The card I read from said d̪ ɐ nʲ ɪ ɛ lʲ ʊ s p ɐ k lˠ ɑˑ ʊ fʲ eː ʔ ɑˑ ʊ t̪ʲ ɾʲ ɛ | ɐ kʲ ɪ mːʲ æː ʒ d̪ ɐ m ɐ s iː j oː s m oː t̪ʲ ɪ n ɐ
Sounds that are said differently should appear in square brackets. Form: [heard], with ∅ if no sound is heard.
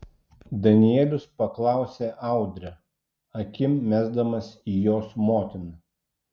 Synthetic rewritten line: d̪ ɐ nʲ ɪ ɛ lʲ ʊ s p ɐ k lˠ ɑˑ ʊ [sʲ] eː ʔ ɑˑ ʊ [d̪ʲ] ɾʲ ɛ | ɐ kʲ ɪ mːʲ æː [z] d̪ ɐ m ɐ s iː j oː s m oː t̪ʲ ɪ n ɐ